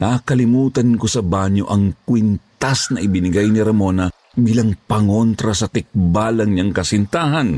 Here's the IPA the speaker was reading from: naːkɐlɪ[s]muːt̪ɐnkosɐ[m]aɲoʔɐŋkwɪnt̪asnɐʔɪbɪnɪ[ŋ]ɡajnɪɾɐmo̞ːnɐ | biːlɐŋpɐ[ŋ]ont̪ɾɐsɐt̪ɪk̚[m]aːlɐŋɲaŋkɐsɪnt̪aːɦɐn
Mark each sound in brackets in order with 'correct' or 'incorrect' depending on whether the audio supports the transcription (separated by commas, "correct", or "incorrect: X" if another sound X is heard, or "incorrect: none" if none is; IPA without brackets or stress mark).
incorrect: none, incorrect: b, incorrect: none, correct, incorrect: b